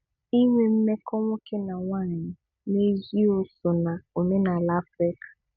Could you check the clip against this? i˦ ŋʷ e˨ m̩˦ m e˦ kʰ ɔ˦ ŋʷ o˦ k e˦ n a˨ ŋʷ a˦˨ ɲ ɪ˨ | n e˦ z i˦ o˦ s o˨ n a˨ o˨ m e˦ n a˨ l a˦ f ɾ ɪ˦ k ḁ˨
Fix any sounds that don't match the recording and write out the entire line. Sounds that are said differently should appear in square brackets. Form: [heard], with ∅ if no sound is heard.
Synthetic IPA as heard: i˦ ŋʷ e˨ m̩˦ m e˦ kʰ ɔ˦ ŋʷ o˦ k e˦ n a˨ ŋʷ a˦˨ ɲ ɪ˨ | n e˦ z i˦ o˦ s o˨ n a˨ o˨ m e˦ n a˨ l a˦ f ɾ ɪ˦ k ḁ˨